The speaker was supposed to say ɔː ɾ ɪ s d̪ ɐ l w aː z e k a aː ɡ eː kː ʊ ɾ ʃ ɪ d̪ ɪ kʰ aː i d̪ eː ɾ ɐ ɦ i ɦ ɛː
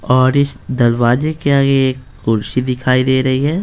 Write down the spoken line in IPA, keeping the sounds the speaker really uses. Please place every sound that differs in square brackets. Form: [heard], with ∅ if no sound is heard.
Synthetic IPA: ɔː ɾ ɪ s d̪ ɐ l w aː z e k [e] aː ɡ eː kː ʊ ɾ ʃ [i] d̪ ɪ kʰ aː i d̪ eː ɾ ɐ ɦ i ɦ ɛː